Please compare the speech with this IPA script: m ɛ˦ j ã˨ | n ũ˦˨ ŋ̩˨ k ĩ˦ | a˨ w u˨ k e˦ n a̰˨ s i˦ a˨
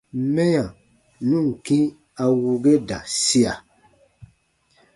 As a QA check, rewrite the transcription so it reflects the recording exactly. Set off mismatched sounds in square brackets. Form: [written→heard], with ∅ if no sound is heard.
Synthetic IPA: m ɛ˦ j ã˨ | n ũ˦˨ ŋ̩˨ k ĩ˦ | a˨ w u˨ [k→ɡ] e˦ [n→d] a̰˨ s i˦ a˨

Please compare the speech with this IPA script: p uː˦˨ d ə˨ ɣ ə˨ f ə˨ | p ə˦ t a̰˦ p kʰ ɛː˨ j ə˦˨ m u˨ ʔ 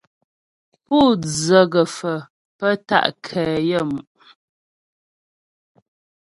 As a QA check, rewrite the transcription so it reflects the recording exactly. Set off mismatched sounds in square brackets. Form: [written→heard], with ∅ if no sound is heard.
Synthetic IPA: p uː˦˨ [d→d͡z] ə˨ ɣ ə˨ f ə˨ | p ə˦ t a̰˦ [p→ʔ] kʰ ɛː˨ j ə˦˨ m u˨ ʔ

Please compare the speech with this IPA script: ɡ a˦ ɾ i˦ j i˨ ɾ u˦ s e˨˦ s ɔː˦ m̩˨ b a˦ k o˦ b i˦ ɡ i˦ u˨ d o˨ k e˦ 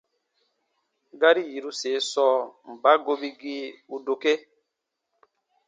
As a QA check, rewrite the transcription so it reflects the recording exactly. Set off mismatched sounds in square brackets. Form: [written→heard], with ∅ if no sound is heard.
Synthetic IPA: ɡ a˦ ɾ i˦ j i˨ ɾ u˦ s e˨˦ s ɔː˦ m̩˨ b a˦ [k→ɡ] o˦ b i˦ ɡ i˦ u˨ d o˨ k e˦

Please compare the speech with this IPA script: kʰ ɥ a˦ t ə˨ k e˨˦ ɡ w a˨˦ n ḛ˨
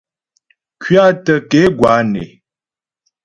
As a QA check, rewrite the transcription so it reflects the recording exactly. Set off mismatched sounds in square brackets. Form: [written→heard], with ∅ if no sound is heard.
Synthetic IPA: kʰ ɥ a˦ t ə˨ k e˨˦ ɡ w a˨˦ n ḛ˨

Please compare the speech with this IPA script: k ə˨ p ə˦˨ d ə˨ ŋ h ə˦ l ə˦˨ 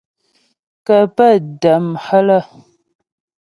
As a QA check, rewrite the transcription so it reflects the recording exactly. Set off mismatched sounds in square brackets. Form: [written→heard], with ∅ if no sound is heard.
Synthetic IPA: k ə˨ p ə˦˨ d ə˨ [ŋ→m] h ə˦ l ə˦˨

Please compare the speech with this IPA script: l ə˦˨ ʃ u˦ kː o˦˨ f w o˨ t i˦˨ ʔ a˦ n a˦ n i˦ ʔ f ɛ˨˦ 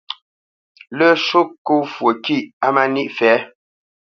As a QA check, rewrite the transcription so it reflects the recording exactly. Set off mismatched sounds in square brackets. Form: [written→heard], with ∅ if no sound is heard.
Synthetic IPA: l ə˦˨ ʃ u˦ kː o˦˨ f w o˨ [t→k] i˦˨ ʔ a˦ [n→m] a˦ n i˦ ʔ f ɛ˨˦

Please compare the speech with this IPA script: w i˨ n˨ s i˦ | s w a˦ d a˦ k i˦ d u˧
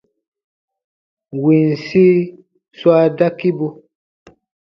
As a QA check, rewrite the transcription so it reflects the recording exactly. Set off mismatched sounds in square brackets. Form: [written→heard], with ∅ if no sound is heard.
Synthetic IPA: w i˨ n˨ s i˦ | s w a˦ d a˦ k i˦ [d→b] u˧

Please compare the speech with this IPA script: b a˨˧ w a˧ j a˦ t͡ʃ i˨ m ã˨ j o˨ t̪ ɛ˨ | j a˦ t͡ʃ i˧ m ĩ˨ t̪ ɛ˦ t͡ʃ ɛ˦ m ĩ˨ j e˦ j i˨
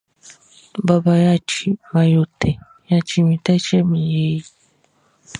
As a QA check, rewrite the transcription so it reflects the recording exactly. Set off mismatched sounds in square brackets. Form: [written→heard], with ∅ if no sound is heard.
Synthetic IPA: b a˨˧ [w→b] a˧ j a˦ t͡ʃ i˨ m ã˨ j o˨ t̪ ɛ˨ | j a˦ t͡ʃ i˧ m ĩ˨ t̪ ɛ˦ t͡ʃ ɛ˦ m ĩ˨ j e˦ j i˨

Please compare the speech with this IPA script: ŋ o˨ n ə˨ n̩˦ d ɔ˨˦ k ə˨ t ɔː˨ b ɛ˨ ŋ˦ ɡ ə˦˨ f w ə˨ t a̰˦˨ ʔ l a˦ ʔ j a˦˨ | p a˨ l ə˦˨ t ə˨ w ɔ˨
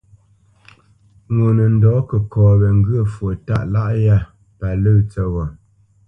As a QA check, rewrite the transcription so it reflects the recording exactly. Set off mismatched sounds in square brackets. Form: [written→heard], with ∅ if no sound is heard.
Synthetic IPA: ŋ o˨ n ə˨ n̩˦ d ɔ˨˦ k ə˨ [t→k] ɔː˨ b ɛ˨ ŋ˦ ɡ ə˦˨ f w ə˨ t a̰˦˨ ʔ l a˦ ʔ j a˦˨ | p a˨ l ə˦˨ [t→t͡s] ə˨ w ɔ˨

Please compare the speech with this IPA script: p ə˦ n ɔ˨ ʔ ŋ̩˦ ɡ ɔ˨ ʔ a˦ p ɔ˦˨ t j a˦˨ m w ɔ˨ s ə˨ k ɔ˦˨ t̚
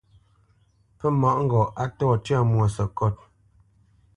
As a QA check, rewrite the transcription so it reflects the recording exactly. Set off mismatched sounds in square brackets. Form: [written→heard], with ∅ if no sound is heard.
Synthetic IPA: p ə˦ [n→m] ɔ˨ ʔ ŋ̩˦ ɡ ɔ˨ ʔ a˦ [p→t] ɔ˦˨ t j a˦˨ m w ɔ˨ s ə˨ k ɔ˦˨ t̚

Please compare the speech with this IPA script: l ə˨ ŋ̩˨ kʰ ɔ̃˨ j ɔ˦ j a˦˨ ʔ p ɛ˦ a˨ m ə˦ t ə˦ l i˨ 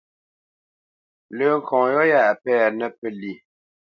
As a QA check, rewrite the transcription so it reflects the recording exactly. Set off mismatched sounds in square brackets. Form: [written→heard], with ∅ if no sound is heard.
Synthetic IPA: l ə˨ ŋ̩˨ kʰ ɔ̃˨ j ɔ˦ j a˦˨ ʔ p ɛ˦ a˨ [m→n] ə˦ [t→p] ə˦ l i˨

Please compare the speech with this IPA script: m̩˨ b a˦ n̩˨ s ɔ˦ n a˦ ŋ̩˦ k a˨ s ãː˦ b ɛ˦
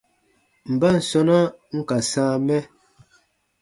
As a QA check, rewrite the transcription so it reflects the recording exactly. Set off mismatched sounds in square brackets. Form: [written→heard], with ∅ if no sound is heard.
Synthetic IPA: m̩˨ b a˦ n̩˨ s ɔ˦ n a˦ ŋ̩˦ k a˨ s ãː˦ [b→m] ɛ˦

